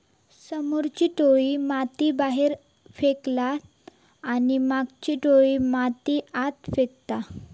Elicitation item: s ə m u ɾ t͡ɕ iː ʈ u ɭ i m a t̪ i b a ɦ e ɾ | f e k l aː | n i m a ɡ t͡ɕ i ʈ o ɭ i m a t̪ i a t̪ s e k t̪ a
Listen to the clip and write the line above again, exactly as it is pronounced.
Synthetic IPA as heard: s ə m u ɾ t͡ɕ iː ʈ o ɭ i m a t̪ i b a ɦ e ɾ | f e k l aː | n i m a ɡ t͡ɕ i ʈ o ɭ i m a t̪ i a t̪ f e k t̪ a